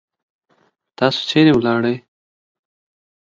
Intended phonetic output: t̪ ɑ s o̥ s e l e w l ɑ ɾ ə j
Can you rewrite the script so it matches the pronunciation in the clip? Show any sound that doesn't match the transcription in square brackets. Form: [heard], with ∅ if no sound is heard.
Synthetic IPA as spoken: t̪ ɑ s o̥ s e [ɾ] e w l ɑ [ɽ] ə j